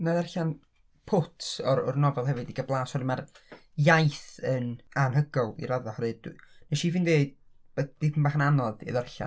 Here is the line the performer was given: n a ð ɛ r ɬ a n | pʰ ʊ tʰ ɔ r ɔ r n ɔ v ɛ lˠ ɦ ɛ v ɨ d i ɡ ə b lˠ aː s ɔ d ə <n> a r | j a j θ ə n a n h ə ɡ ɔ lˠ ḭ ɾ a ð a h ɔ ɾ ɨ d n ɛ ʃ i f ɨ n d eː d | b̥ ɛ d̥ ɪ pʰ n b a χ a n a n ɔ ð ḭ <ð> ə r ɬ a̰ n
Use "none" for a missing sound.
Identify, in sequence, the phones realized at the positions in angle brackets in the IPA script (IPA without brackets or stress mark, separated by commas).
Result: m, ð